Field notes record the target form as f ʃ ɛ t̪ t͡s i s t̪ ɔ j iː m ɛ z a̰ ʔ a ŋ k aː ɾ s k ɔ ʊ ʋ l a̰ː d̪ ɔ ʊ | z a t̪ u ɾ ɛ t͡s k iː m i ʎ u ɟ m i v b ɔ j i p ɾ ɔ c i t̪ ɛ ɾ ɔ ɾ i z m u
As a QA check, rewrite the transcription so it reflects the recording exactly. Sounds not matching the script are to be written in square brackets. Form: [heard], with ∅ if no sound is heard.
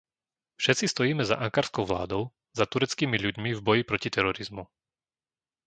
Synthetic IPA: f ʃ ɛ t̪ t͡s i s t̪ ɔ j iː m ɛ z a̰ ʔ a ŋ k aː ɾ s k ɔ ʊ ʋ l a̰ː d̪ ɔ ʊ | z a t̪ u ɾ ɛ t͡s k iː m i ʎ u ɟ m i v b ɔ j i p ɾ ɔ c i t̪ ɛ ɾ ɔ ɾ i z m u